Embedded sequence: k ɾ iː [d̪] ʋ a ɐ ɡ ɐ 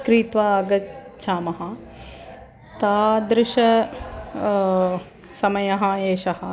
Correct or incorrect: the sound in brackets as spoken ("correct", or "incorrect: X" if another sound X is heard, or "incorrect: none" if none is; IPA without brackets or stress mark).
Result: incorrect: t̪